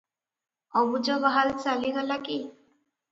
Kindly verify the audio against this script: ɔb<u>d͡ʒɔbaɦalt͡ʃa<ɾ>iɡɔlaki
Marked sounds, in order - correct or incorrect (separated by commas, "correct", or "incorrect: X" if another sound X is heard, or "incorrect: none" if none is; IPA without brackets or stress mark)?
correct, incorrect: l